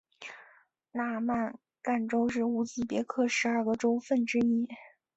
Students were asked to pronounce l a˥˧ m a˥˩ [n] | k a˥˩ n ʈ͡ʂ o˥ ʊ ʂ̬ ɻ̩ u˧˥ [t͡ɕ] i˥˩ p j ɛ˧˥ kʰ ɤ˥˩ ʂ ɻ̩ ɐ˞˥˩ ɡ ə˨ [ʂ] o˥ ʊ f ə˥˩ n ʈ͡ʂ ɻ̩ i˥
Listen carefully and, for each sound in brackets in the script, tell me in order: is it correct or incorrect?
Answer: correct, correct, incorrect

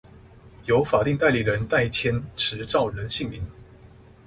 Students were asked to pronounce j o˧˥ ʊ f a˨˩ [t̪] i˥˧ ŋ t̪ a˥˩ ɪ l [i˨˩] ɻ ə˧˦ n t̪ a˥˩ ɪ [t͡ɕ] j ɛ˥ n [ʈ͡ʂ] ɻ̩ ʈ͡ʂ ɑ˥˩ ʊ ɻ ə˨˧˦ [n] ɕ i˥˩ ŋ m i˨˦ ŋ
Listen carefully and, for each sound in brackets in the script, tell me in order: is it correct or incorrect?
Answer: correct, correct, incorrect, incorrect, correct

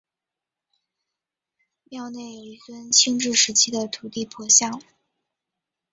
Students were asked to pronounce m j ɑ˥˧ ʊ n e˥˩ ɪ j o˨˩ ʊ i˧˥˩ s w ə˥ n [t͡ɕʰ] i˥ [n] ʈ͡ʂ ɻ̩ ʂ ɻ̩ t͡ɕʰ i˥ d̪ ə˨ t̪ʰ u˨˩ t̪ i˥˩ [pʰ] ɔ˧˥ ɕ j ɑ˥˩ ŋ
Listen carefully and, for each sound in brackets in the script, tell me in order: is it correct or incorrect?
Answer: correct, incorrect, correct

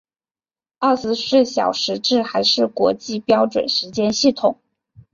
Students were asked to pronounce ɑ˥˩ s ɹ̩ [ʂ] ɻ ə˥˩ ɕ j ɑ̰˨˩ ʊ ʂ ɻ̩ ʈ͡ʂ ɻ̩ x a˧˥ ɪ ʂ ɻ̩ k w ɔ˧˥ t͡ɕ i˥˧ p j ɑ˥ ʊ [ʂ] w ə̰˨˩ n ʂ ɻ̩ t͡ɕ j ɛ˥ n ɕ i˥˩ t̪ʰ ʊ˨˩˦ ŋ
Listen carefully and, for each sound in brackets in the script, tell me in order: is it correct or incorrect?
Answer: correct, incorrect

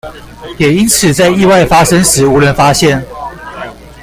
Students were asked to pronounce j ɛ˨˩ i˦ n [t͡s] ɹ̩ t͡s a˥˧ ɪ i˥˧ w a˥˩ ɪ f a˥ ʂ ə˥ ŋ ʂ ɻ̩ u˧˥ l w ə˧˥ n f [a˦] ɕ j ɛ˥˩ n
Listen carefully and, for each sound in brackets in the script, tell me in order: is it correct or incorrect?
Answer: incorrect, correct

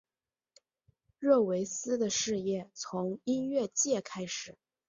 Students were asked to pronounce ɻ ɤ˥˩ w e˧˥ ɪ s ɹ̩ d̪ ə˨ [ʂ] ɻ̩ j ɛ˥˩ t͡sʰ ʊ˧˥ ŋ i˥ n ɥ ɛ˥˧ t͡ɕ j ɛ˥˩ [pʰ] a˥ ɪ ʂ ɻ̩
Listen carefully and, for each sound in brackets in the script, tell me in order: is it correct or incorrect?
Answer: correct, incorrect

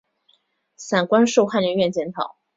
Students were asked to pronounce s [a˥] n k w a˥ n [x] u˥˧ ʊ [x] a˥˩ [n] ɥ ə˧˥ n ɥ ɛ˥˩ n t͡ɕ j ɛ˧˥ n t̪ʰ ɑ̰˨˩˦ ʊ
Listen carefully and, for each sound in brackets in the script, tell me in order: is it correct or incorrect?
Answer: incorrect, incorrect, correct, correct

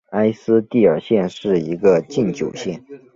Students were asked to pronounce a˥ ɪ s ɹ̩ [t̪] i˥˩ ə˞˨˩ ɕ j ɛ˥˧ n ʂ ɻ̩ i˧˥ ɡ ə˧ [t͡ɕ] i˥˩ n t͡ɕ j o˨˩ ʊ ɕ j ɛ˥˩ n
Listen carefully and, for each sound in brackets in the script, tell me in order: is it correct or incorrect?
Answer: correct, correct

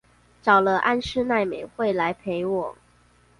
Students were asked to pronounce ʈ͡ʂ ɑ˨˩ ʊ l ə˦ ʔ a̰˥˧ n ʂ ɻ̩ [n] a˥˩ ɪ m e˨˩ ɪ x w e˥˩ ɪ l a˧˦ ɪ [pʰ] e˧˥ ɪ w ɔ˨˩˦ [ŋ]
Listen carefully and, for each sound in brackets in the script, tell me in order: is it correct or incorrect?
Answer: correct, correct, correct

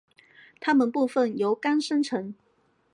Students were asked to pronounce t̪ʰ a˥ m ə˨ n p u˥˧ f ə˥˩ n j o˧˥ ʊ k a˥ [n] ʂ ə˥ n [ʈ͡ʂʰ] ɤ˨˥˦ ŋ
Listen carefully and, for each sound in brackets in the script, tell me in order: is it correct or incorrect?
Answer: correct, correct

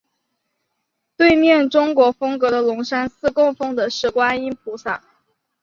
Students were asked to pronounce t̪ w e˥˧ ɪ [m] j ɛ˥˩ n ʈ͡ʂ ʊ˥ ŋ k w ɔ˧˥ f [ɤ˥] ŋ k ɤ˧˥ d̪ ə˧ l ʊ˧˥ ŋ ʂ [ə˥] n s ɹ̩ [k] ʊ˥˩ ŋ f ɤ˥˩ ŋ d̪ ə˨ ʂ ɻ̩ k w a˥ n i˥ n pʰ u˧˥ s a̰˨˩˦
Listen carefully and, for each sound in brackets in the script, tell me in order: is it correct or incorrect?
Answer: correct, correct, incorrect, correct

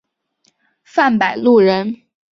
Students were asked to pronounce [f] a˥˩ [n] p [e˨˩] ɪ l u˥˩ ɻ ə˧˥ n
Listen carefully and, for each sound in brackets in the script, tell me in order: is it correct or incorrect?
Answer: correct, correct, incorrect

